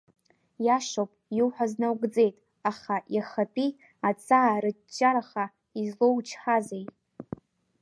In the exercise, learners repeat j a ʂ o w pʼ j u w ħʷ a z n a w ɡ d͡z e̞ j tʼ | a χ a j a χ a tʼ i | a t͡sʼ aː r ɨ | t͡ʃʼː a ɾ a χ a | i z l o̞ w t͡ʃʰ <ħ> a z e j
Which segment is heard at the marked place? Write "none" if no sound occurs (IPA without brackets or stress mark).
ħ